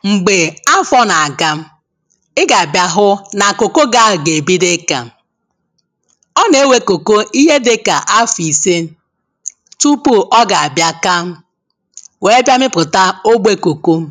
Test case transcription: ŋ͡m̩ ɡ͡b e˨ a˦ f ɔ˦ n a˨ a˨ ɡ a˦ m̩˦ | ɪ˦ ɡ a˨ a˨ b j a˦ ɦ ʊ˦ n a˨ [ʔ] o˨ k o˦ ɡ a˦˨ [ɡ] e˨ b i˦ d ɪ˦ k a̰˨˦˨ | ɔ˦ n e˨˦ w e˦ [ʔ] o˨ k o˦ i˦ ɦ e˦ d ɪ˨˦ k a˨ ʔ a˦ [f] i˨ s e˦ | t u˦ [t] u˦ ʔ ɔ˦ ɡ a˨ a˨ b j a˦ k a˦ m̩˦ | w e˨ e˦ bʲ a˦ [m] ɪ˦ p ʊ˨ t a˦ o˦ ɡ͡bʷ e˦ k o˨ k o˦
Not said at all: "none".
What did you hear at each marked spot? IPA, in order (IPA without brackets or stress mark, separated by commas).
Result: k, ɡ, k, f, p, m